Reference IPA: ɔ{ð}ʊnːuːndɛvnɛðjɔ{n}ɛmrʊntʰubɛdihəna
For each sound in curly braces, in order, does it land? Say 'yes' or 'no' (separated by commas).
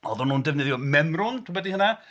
yes, no